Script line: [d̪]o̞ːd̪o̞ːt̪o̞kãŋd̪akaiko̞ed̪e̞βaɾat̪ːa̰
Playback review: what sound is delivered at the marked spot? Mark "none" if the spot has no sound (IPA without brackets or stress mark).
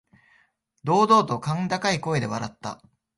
d̪